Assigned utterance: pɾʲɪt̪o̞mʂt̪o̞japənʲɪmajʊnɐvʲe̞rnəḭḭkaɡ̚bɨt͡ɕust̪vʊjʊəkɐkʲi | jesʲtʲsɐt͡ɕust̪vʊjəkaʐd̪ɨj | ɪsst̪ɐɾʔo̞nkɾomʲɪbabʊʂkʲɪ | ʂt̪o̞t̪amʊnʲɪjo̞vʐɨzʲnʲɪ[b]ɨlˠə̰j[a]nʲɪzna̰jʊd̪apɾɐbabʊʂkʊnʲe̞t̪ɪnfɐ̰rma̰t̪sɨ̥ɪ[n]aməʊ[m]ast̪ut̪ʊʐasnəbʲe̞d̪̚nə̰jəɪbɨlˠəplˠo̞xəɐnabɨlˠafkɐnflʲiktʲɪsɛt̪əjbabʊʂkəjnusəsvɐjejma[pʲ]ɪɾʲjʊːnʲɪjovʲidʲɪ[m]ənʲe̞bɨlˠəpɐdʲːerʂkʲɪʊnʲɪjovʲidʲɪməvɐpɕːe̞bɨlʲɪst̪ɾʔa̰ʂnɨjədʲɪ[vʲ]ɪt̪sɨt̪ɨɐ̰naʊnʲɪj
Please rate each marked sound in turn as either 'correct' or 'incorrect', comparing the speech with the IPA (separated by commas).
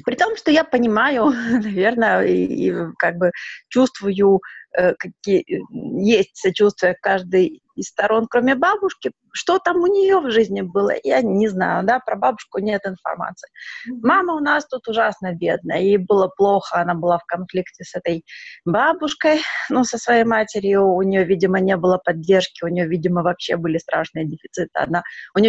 correct, correct, incorrect, incorrect, incorrect, correct, incorrect